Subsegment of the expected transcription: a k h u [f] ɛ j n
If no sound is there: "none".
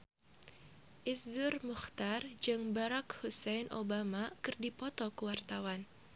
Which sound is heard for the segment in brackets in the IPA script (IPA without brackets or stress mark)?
s